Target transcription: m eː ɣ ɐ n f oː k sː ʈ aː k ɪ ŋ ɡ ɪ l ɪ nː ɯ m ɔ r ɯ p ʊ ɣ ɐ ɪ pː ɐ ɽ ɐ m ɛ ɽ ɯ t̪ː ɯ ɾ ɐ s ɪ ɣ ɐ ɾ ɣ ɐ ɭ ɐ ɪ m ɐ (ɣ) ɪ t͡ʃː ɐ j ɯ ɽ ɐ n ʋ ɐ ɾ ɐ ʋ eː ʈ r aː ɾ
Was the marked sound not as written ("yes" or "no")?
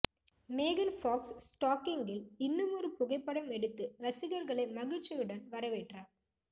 no